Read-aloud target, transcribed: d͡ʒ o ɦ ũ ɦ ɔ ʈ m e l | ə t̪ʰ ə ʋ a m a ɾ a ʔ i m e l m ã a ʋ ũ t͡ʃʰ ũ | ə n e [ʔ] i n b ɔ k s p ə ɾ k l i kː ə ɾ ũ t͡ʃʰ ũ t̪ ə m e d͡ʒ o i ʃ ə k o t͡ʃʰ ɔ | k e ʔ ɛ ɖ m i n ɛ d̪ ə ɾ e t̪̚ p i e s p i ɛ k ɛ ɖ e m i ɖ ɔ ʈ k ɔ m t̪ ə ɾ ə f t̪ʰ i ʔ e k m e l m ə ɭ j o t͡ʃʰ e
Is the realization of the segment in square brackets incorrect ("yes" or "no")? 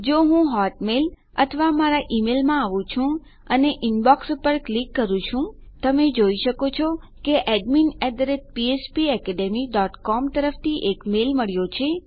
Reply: no